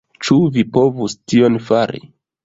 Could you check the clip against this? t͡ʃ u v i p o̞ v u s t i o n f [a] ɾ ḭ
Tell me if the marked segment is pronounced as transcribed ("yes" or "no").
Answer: yes